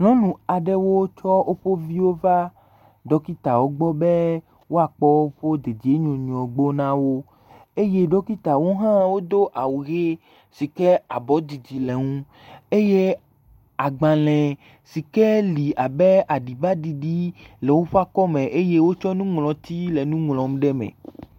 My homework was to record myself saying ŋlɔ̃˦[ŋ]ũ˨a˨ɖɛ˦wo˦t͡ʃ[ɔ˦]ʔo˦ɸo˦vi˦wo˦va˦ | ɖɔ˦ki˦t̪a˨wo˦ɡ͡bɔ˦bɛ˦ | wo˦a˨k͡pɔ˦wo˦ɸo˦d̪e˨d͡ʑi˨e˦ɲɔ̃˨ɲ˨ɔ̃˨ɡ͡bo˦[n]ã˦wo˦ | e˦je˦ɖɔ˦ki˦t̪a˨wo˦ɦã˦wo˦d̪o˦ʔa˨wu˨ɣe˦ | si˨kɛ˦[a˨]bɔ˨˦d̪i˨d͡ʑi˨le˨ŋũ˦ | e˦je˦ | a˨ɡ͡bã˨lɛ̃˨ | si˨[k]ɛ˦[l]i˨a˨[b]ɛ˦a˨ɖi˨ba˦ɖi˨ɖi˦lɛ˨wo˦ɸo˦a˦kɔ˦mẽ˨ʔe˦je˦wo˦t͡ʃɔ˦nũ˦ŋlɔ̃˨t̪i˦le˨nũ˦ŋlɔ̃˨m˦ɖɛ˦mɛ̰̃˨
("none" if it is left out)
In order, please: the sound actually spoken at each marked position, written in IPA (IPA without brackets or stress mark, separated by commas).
n, ɔ˦, n, a˨, k, l, b